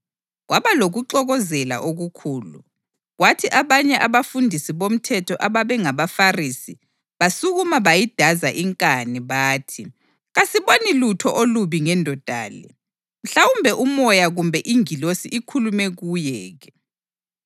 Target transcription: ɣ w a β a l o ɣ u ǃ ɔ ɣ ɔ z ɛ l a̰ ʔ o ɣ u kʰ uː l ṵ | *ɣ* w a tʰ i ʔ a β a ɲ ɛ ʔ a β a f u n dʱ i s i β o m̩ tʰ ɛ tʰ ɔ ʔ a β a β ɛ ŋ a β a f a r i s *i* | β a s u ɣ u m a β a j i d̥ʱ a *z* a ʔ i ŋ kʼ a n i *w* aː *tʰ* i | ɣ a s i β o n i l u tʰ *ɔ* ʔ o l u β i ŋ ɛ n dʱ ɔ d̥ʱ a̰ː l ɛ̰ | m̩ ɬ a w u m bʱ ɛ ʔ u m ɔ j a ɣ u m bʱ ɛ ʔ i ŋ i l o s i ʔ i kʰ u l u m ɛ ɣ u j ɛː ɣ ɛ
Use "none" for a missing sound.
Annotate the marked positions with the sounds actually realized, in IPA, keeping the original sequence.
ɣ, i, z, β, tʰ, ɔ

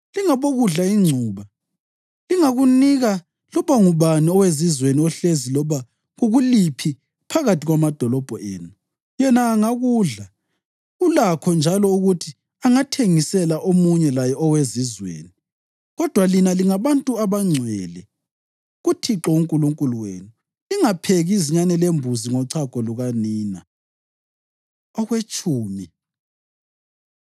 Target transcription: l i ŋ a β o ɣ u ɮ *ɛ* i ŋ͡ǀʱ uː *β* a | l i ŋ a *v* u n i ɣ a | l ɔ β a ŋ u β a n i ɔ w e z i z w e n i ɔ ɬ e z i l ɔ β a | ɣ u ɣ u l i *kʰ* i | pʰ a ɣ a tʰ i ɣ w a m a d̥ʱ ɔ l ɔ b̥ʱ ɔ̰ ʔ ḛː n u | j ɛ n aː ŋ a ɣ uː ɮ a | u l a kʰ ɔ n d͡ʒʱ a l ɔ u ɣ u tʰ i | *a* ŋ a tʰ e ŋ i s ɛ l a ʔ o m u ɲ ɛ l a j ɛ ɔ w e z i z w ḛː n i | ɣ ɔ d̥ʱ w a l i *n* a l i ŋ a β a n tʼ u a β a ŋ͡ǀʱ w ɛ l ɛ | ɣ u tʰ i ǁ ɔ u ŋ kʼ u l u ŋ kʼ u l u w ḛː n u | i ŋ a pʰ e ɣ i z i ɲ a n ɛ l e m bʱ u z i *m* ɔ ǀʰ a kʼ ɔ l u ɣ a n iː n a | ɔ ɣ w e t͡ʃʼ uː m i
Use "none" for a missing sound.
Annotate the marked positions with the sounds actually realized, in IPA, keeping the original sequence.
a, β, ɣ, pʰ, a, n, ŋ

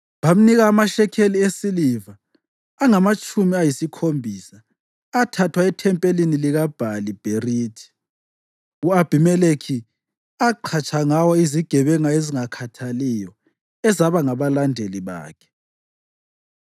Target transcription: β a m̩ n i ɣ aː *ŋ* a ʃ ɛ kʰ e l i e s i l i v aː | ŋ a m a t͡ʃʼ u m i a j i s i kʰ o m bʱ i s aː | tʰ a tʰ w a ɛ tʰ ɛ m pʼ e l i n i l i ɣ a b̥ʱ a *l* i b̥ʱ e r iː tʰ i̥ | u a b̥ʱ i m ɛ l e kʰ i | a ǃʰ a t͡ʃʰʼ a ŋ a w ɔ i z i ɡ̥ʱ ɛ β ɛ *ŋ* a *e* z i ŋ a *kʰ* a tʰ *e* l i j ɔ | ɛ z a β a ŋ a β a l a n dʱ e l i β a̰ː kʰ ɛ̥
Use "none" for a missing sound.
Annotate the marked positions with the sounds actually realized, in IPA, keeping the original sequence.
m, l, ŋ, e, kʰ, a

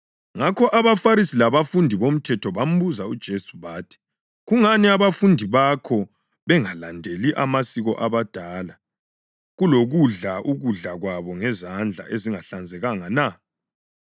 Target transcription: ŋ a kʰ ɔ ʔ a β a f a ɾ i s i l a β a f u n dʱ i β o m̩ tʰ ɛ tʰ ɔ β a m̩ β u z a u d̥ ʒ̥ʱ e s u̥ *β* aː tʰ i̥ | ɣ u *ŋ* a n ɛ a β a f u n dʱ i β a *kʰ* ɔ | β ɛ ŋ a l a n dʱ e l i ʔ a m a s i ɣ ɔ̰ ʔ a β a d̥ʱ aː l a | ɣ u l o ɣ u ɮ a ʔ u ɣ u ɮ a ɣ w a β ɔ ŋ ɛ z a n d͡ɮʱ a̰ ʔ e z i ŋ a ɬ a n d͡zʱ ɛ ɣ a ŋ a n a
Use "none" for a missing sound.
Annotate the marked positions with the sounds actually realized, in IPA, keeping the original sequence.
β, ŋ, kʰ

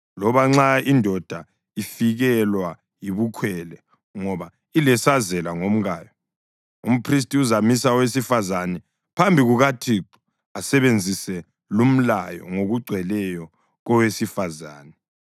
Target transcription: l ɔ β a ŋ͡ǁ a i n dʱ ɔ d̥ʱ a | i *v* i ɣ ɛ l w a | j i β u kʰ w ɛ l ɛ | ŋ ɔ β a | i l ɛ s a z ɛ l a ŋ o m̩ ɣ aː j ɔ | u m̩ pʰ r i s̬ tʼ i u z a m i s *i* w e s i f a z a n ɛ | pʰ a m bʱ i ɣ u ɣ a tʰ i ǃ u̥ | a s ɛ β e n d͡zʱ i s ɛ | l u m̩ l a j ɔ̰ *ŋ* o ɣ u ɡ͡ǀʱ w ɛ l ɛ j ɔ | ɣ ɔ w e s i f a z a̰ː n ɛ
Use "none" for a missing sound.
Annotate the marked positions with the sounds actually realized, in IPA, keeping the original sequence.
f, a, ŋ

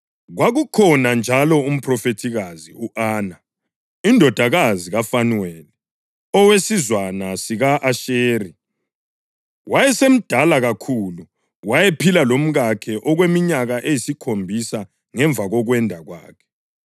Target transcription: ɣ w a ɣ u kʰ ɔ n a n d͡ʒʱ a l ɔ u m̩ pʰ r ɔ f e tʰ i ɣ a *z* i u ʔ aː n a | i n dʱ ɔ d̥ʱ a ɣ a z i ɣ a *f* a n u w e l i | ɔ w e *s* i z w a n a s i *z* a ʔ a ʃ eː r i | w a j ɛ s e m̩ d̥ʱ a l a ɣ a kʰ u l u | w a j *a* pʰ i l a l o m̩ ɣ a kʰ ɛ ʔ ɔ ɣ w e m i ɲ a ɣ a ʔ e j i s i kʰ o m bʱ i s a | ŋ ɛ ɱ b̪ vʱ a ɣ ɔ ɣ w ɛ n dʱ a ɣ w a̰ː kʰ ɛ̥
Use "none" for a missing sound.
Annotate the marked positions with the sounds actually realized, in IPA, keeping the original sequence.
z, f, s, ɣ, e

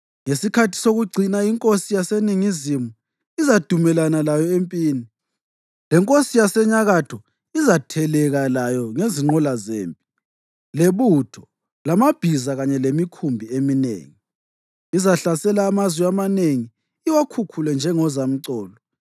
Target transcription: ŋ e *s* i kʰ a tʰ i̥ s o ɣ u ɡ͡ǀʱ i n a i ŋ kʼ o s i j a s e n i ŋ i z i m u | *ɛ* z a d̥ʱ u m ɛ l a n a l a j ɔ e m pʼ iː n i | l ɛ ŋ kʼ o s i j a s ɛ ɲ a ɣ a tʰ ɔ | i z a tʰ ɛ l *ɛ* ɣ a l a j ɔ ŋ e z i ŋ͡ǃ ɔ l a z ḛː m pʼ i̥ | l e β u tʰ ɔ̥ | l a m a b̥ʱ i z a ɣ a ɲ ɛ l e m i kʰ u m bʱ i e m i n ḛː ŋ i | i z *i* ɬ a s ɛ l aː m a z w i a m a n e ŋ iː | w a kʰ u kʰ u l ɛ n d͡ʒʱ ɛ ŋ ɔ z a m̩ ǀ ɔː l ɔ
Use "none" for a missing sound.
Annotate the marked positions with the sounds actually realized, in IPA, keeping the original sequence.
s, i, ɛ, a

